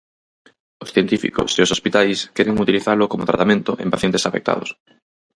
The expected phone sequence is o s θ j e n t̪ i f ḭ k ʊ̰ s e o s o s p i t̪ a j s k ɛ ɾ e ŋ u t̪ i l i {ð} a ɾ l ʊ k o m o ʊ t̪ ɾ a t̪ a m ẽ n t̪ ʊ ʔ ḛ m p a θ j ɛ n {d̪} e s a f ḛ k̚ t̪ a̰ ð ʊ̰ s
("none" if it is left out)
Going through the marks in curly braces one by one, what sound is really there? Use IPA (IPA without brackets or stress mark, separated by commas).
θ, t̪